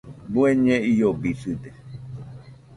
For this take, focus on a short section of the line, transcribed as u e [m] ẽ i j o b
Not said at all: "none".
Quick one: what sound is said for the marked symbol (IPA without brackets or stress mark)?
ɲ